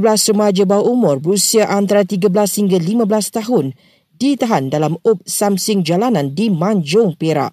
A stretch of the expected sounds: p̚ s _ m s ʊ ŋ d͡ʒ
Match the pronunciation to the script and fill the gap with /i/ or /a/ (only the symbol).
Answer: a